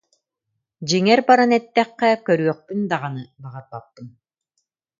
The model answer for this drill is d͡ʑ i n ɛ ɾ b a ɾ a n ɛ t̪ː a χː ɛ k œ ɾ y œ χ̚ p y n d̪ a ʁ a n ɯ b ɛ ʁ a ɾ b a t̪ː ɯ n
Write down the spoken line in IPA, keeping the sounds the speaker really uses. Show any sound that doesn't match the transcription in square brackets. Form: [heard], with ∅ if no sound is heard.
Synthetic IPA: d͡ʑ i [ŋ] ɛ ɾ b a ɾ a n ɛ t̪ː [ɛ] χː ɛ k œ ɾ y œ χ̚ p y n d̪ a ʁ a n ɯ b [a] ʁ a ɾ b a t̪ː ɯ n